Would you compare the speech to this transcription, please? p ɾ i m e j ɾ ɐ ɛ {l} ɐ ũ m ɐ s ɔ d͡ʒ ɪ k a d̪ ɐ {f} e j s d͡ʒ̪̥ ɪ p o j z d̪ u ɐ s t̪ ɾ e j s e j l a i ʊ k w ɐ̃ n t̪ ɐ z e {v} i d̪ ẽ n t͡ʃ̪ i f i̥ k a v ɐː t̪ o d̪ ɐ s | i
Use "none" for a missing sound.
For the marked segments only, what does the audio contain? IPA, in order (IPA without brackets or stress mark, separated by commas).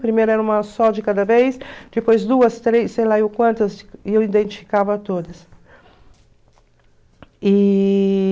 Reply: ɾ, v, w